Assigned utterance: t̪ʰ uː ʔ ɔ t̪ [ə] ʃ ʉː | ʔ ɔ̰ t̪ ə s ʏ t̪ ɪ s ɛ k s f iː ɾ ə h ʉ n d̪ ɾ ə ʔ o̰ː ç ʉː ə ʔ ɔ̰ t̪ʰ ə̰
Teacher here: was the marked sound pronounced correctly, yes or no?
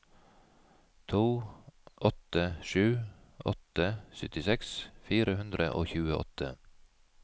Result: yes